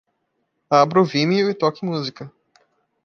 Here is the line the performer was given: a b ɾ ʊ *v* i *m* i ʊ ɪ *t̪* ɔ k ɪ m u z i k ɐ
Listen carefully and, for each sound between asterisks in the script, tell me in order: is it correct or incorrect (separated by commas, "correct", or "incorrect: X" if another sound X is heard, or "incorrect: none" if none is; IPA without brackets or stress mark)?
correct, correct, correct